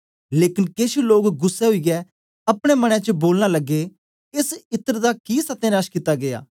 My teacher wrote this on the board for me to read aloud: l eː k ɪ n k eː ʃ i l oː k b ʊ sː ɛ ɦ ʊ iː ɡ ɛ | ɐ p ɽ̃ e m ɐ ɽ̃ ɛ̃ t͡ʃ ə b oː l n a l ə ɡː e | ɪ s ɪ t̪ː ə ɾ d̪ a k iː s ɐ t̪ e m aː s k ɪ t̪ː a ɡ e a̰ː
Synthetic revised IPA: l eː k ɪ n k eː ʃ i l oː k ɡ ʊ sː ɛ ɦ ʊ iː ɡ ɛ | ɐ p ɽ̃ e m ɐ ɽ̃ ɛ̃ t͡ʃ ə b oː l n a l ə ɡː e | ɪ s ɪ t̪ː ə ɾ d̪ a k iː s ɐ t̪ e n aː ʃ k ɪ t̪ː a ɡ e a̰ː